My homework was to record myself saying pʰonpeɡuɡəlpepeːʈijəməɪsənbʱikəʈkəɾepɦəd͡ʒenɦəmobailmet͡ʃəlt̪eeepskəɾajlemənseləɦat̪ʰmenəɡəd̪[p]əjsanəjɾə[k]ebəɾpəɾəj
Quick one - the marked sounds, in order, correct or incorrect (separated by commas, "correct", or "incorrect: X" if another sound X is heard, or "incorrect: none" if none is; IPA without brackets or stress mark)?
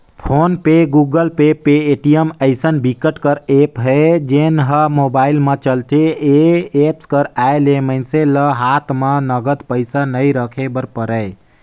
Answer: correct, incorrect: kʰ